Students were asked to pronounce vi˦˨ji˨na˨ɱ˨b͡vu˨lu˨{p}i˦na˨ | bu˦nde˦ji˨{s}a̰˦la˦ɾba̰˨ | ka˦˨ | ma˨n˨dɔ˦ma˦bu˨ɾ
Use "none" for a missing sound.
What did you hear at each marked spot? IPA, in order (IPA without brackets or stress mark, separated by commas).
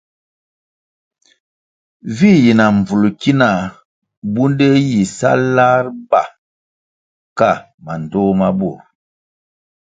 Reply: k, s